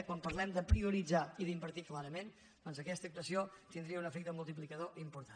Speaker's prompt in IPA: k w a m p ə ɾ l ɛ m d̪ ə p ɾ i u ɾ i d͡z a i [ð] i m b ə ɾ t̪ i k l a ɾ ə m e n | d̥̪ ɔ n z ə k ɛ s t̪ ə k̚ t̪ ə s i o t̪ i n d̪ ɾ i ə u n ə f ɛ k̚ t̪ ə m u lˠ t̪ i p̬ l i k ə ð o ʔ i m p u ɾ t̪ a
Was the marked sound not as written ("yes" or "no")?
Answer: no